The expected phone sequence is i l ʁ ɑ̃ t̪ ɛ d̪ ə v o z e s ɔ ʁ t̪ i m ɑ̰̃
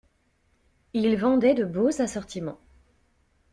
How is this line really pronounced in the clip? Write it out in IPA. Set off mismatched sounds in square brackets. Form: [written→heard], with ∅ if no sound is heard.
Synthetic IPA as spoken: i l [ʁ→v] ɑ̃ [t̪→d̪] ɛ d̪ ə [v→b] o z [e→a] s ɔ ʁ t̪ i m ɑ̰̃